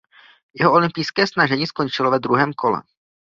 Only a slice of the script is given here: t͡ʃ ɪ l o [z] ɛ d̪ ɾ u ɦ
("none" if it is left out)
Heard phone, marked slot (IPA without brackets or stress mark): v